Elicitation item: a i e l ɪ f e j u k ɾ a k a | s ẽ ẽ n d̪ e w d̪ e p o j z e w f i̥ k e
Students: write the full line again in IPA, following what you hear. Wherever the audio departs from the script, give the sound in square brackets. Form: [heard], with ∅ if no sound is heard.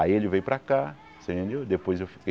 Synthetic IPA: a i e l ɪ [v] e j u [p] ɾ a k a | s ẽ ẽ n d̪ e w d̪ e p o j z e w f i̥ k e